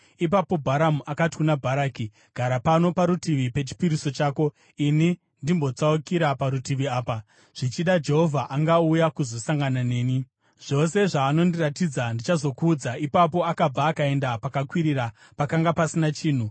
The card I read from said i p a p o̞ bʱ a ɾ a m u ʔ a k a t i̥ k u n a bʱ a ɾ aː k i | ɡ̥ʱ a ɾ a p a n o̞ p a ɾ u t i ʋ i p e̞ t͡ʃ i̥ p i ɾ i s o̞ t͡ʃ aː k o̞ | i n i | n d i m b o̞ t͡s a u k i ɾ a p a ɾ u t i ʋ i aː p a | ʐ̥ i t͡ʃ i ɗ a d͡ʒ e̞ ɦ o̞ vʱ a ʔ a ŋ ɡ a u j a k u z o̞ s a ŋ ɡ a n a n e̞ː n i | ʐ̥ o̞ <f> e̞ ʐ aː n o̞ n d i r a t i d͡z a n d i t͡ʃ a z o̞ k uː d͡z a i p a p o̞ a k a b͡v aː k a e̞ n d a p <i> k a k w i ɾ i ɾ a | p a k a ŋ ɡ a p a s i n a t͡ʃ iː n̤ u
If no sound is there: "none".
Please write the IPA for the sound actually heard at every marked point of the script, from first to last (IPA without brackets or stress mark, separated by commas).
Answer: s, a